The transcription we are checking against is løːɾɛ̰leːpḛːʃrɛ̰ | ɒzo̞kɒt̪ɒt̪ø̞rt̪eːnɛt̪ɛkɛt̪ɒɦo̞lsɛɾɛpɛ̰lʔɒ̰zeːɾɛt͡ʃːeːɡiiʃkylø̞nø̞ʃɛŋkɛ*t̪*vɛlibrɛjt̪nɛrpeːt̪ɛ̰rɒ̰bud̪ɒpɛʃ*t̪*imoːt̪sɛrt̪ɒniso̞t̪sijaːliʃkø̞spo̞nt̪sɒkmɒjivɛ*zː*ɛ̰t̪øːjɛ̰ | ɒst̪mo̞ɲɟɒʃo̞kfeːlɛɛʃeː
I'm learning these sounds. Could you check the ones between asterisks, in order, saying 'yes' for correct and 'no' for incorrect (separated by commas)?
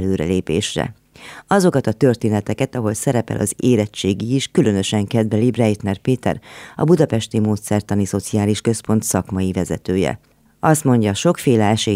no, yes, no